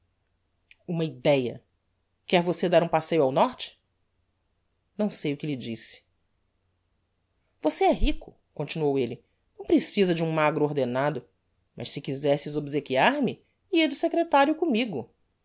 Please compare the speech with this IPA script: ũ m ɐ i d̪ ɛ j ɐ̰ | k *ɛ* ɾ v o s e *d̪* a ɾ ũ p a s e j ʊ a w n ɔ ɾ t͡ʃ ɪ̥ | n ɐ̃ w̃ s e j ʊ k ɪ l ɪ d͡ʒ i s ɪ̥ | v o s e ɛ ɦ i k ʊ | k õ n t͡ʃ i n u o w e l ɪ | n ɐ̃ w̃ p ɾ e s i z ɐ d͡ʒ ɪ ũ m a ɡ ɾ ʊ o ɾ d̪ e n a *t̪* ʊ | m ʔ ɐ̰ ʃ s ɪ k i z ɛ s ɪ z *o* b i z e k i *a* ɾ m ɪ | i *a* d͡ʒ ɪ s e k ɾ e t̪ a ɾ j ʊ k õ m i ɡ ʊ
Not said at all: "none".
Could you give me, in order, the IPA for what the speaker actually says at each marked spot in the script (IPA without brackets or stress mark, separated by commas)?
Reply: ɛ, d̪, d̪, o, a, ɐ